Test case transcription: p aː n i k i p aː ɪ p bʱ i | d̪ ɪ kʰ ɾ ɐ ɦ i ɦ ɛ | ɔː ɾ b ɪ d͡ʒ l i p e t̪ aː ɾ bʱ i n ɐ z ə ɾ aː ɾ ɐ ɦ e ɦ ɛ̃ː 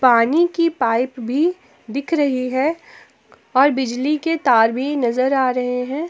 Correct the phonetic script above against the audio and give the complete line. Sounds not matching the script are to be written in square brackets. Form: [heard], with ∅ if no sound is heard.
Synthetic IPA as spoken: p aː n i k i p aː ɪ p bʱ i | d̪ ɪ kʰ ɾ ɐ ɦ i ɦ ɛ | ɔː ɾ b ɪ d͡ʒ l i [k] e t̪ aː ɾ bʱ i n ɐ z ə ɾ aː ɾ ɐ ɦ e ɦ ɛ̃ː